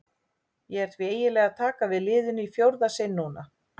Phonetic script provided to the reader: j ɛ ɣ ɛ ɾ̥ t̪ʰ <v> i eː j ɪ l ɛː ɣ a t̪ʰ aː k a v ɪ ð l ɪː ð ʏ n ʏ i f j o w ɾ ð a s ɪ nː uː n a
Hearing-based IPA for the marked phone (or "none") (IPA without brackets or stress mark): v